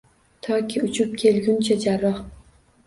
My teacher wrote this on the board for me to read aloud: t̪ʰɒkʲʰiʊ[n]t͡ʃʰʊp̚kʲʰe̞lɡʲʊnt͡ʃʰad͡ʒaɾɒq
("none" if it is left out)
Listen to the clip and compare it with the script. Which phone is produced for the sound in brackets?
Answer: none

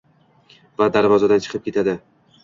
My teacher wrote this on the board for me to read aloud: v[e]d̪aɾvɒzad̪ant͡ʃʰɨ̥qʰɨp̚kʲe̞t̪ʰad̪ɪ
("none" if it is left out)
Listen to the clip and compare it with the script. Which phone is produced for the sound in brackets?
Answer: a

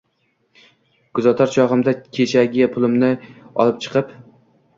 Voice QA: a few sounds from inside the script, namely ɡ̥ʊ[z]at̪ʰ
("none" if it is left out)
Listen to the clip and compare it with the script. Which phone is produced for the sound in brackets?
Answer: z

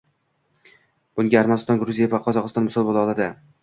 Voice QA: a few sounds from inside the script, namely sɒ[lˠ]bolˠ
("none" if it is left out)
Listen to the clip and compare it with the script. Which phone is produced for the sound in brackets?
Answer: lˠ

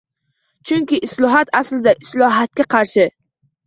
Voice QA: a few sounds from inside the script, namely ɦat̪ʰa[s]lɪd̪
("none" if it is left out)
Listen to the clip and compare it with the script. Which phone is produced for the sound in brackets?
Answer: s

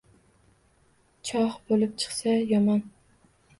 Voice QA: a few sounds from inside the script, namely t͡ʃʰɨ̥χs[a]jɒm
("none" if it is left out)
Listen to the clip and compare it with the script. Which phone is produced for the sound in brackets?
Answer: a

